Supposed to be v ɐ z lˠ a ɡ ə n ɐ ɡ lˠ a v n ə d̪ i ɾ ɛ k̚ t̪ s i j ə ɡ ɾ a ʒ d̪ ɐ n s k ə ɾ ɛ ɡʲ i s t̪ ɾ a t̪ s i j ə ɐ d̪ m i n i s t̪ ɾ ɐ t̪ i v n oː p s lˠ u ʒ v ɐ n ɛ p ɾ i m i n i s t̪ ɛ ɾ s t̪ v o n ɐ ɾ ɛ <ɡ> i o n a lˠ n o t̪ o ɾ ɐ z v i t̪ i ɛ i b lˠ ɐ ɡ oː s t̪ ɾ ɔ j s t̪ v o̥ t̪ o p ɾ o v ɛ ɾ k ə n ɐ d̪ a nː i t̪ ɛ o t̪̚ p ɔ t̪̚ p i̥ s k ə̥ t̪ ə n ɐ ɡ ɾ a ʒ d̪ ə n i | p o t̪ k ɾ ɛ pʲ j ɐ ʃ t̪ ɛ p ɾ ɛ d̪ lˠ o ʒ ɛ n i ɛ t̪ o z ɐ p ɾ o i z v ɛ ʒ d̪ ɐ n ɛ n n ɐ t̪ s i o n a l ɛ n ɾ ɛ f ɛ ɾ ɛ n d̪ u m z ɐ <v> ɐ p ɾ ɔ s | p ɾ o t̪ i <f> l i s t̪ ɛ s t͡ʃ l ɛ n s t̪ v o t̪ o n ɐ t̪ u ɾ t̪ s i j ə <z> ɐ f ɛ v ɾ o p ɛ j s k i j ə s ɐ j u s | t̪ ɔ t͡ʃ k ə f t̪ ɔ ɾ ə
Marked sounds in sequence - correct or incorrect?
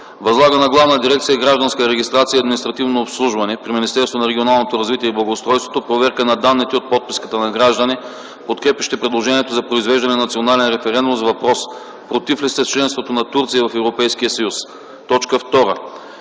correct, correct, correct, incorrect

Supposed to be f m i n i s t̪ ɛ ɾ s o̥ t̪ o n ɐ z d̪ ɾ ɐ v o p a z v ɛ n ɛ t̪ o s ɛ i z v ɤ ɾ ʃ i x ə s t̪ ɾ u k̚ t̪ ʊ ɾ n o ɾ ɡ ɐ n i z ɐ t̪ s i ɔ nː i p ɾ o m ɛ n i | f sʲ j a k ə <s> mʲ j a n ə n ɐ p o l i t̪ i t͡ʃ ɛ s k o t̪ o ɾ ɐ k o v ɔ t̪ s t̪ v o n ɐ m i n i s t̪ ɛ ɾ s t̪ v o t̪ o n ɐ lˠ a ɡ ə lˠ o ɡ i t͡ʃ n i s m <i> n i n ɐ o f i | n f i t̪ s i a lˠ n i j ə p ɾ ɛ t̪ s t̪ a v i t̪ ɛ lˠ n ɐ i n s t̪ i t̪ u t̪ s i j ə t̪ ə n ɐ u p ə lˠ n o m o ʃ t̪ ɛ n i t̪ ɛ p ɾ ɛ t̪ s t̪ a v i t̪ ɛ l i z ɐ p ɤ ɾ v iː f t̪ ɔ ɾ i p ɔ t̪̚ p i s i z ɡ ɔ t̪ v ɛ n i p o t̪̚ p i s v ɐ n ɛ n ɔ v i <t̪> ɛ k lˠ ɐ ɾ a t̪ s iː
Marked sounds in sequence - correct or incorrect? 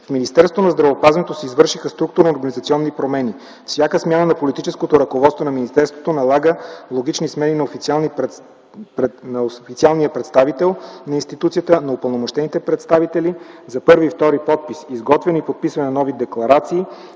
correct, incorrect, incorrect

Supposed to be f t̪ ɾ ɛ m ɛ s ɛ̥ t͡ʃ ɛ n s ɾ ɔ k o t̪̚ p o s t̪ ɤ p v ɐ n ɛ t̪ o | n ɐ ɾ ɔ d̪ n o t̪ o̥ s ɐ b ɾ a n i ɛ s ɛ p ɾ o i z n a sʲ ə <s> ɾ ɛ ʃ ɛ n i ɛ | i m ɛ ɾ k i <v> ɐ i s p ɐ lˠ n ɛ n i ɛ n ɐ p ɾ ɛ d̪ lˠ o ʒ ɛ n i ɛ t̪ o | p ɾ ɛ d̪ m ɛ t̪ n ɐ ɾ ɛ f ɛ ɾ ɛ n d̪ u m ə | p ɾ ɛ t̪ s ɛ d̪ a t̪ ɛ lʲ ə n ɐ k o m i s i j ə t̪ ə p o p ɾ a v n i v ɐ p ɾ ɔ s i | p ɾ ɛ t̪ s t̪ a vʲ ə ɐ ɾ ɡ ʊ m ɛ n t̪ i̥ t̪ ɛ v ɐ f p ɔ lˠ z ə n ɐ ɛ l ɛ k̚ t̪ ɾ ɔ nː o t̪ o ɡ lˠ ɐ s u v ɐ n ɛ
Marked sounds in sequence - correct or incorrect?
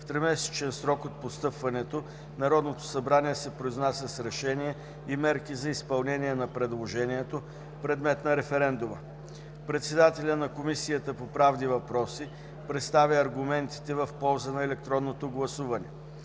correct, incorrect

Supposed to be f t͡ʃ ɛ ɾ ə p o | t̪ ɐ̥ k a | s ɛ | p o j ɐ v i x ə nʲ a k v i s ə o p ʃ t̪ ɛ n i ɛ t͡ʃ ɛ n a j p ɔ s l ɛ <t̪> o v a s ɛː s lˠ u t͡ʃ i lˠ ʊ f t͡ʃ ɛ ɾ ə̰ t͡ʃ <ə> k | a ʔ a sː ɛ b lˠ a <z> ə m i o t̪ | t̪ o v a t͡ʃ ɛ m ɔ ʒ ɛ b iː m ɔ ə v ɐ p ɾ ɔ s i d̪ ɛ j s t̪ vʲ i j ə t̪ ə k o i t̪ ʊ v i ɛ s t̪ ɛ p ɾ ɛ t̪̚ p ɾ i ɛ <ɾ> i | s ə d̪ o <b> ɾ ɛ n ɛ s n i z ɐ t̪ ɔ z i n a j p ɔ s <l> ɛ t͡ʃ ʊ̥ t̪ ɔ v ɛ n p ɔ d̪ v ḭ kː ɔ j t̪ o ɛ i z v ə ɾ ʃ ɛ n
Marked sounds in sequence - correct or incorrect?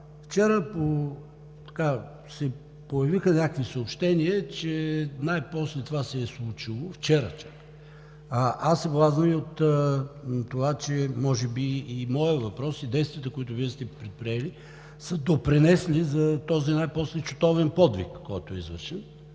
correct, incorrect, correct, incorrect, incorrect, correct

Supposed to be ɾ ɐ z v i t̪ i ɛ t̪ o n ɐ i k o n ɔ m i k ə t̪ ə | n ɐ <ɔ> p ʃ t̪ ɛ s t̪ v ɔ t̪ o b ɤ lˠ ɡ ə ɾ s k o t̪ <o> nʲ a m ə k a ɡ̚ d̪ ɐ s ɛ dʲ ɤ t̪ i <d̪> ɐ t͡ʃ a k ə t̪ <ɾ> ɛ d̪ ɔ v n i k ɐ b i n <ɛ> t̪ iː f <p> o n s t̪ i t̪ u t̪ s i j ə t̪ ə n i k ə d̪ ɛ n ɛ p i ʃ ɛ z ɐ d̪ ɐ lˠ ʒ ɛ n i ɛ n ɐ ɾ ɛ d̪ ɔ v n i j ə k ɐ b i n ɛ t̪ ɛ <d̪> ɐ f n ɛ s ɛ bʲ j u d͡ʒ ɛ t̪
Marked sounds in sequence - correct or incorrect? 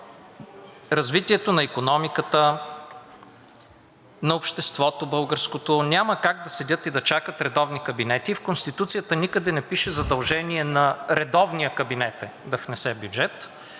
incorrect, correct, correct, correct, correct, incorrect, correct

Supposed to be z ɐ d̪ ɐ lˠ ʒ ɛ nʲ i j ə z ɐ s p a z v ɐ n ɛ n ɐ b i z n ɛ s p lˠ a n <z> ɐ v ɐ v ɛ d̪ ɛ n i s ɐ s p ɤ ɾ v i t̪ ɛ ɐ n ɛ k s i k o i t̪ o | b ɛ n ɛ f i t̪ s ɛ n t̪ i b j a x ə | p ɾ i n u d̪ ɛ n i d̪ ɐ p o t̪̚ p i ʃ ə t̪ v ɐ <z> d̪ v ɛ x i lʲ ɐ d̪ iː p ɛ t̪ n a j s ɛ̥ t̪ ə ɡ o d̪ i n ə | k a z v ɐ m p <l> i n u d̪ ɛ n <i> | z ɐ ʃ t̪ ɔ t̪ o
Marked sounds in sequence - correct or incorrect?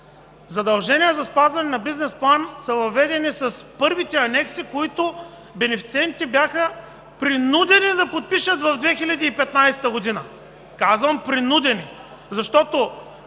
incorrect, incorrect, incorrect, correct

